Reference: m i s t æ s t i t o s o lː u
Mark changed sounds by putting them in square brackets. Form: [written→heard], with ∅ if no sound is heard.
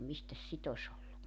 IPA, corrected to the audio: m i s t æ s [t→s] i t o s o lː u